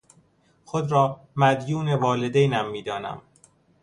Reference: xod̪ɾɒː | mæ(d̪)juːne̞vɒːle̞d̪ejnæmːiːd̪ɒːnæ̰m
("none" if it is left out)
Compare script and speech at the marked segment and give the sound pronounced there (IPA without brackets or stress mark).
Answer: d̪